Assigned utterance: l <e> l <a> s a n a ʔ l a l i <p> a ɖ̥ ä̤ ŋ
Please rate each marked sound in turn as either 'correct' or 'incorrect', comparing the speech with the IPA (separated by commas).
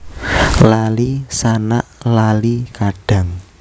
incorrect, incorrect, incorrect